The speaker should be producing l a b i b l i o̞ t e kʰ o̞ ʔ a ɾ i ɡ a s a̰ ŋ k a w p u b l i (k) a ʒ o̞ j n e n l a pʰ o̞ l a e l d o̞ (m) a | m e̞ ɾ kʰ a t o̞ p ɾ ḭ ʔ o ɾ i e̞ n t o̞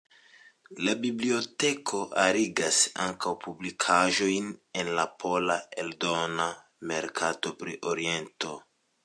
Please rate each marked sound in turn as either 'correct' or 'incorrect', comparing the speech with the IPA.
incorrect: kʰ, incorrect: n

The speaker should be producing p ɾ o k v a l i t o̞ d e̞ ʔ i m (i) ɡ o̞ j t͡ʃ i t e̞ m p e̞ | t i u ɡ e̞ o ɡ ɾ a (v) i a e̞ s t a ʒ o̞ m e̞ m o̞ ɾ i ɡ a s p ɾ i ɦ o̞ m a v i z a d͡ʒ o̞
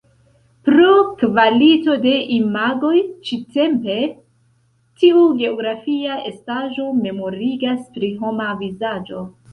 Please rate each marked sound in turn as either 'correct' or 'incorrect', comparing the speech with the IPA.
incorrect: a, incorrect: f

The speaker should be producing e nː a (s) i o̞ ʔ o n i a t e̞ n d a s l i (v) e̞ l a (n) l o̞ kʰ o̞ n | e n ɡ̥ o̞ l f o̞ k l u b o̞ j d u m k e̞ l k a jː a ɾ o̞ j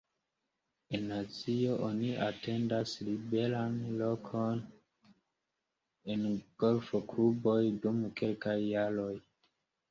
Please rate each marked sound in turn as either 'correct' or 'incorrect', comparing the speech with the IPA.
incorrect: t͡s, incorrect: b, correct

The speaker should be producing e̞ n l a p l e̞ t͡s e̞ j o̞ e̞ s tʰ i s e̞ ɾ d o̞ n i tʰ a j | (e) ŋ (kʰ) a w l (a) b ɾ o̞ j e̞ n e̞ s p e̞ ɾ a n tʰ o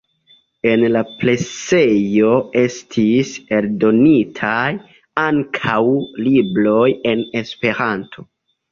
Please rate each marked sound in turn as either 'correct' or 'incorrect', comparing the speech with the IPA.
incorrect: a, correct, incorrect: i

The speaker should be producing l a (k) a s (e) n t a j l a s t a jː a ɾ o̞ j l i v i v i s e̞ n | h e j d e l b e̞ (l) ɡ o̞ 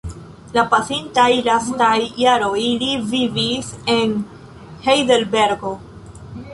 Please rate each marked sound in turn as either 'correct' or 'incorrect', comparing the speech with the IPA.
incorrect: p, incorrect: i, incorrect: ɾ

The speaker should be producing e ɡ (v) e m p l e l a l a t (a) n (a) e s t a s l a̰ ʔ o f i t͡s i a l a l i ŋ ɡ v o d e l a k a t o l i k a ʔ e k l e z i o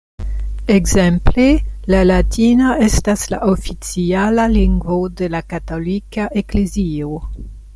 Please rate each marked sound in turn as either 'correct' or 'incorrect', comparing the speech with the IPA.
incorrect: z, incorrect: i, correct

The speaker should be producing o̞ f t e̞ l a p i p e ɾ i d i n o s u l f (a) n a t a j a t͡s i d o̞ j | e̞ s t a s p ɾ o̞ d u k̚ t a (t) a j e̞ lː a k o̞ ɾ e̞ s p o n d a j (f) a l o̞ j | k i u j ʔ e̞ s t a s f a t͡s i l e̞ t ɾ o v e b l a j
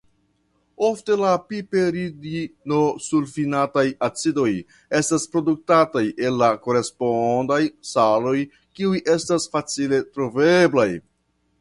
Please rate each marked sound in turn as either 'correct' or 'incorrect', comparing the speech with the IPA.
incorrect: i, correct, incorrect: s

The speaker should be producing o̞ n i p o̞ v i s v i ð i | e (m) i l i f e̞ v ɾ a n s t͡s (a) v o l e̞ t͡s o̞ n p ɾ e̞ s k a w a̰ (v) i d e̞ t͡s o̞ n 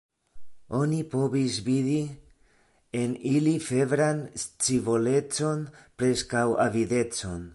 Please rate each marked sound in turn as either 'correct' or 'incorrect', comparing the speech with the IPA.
incorrect: n, incorrect: i, correct

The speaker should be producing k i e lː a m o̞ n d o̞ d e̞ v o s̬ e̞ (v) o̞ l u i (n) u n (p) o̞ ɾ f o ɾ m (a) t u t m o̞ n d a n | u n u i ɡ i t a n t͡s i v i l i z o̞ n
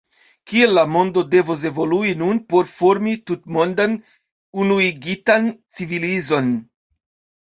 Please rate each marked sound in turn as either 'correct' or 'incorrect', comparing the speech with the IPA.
correct, correct, correct, incorrect: i

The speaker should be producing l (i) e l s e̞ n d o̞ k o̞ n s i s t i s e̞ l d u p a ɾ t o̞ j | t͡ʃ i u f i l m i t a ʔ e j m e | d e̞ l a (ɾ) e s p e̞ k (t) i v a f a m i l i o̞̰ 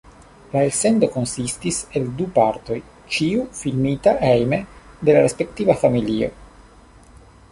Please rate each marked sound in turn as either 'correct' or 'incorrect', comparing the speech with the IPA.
incorrect: a, correct, correct

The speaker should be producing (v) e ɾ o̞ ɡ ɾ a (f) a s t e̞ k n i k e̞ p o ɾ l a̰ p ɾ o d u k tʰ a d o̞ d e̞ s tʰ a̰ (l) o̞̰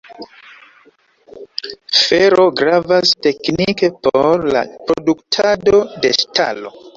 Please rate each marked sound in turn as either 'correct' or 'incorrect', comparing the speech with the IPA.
incorrect: f, incorrect: v, correct

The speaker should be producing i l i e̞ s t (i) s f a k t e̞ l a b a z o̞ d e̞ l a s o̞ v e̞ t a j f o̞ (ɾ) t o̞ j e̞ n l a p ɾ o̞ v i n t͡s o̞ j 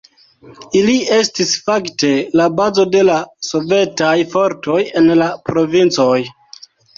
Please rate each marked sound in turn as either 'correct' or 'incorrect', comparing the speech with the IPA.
correct, correct

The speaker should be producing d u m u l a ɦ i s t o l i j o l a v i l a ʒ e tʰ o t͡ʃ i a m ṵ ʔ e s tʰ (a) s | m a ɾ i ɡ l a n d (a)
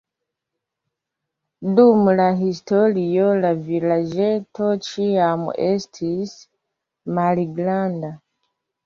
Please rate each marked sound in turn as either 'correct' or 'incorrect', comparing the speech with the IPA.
incorrect: i, correct

